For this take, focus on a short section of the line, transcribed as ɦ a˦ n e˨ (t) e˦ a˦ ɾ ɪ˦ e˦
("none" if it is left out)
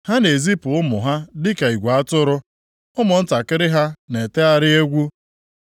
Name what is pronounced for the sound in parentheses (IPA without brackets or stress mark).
t